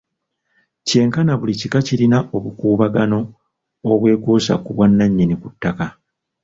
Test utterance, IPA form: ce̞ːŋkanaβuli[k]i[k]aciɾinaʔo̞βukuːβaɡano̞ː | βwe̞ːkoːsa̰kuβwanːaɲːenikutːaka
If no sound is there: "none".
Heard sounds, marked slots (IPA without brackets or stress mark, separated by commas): c, k